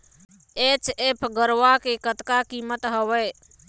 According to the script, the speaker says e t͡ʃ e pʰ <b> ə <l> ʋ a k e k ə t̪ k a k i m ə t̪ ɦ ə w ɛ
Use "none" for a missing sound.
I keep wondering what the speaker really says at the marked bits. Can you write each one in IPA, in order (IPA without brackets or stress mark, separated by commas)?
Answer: ɡ, ɾ